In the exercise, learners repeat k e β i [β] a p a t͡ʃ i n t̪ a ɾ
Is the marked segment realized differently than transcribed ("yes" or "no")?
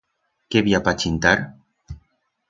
yes